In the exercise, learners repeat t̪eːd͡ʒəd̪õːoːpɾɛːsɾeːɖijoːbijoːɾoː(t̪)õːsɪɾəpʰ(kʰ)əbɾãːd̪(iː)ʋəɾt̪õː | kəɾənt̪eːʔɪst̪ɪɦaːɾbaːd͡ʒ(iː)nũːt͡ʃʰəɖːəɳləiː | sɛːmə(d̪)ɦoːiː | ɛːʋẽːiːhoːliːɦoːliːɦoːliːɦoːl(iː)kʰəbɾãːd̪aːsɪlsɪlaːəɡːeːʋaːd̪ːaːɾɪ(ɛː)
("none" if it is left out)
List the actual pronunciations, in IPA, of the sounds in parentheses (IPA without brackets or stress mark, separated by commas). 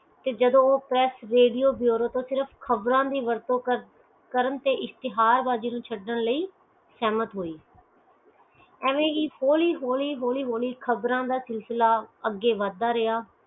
t̪, kʰ, iː, iː, t̪, iː, aː